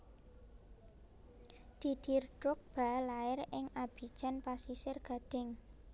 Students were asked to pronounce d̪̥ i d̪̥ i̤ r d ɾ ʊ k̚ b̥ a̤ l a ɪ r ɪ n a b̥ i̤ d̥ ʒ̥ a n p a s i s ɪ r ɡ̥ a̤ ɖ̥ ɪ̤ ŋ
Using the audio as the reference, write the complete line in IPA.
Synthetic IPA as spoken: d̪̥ i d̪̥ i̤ r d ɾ ʊ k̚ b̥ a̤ l a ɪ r ɪ ŋ a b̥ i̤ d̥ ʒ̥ a n p a s i s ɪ r ɡ̥ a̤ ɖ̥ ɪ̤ ŋ